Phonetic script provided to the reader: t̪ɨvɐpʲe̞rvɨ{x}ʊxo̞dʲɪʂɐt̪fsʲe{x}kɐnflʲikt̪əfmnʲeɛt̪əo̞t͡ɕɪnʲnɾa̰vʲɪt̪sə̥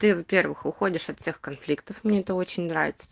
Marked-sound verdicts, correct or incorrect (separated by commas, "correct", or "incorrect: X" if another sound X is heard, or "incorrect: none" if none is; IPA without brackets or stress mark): correct, correct